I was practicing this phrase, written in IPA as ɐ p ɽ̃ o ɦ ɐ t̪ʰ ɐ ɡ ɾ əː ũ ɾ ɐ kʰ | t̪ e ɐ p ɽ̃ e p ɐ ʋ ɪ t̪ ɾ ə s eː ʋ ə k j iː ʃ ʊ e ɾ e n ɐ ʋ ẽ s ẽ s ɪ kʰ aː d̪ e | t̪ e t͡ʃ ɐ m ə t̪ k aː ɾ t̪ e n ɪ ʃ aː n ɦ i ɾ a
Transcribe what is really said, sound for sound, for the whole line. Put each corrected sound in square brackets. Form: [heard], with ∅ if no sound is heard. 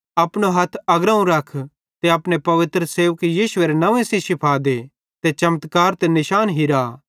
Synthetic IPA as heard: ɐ p ɽ̃ o ɦ ɐ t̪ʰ ɐ ɡ ɾ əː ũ ɾ ɐ kʰ | t̪ e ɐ p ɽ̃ e p ɐ ʋ ɪ t̪ ɾ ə s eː ʋ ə k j iː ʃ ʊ e ɾ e n ɐ ʋ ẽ s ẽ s ɪ [pʰ] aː d̪ e | t̪ e t͡ʃ ɐ m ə t̪ k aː ɾ t̪ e n ɪ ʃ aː n ɦ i ɾ a